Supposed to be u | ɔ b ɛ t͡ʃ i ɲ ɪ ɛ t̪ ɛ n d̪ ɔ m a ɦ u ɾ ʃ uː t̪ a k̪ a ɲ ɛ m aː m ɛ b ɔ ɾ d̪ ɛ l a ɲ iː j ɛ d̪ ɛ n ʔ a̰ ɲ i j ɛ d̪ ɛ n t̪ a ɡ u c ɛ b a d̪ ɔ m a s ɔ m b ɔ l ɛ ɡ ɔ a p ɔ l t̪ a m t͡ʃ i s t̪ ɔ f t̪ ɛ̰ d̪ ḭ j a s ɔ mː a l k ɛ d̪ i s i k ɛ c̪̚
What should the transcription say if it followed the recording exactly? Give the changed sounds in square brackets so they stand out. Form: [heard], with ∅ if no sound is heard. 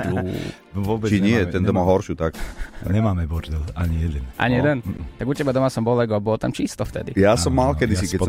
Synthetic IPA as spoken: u | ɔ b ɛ t͡ʃ i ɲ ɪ ɛ t̪ ɛ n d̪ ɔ m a ɦ [ɔ] ɾ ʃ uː t̪ a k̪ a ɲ ɛ m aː m ɛ b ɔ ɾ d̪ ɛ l a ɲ [i] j ɛ d̪ ɛ n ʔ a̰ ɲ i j ɛ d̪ ɛ n t̪ a ɡ u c ɛ b a d̪ ɔ m a s ɔ m b ɔ l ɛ ɡ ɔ a [b] ɔ l t̪ a m t͡ʃ i s t̪ ɔ f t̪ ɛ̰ d̪ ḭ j a s ɔ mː a l k ɛ d̪ i s i k ɛ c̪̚